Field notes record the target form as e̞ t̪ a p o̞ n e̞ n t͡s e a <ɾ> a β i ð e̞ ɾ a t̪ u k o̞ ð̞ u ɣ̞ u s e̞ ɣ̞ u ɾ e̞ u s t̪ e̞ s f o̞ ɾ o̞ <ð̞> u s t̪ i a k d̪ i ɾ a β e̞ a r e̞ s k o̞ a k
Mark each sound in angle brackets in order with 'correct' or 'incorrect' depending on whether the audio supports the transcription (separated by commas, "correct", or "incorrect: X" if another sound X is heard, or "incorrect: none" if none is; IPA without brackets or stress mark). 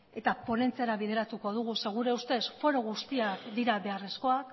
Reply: correct, incorrect: ɣ̞